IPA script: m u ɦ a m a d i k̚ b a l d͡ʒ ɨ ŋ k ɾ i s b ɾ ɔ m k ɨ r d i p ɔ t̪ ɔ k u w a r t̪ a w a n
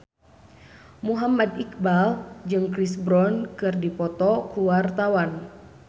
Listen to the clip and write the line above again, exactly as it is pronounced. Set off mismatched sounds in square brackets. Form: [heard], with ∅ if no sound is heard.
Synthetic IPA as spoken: m u ɦ a m a d i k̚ b a l d͡ʒ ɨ ŋ k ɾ i s b ɾ ɔ [n] k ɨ r d i p ɔ t̪ ɔ k u w a r t̪ a w a n